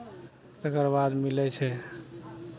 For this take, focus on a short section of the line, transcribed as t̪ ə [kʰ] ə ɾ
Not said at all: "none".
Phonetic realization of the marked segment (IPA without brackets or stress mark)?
k